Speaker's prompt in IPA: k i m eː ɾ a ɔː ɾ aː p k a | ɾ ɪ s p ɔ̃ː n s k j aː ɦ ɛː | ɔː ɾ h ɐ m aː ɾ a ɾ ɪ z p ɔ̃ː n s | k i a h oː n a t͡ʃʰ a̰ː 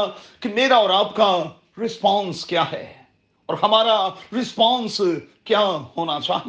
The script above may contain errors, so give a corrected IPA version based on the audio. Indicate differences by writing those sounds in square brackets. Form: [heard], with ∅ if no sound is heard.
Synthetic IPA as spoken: k i m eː ɾ a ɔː ɾ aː p k a | ɾ ɪ s p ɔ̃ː n s k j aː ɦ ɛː | ɔː ɾ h ɐ m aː ɾ a ɾ ɪ [s] p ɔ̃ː n s | k [j] a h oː n a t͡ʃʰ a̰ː